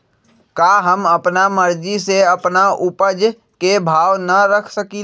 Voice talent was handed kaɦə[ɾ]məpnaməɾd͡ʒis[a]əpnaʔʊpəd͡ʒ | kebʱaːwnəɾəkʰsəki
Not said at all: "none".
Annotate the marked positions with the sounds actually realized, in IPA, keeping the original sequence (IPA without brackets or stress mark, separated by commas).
none, e